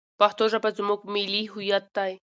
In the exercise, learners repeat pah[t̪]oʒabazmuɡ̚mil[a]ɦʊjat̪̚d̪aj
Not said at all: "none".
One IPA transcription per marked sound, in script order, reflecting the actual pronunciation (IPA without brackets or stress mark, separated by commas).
t̪, i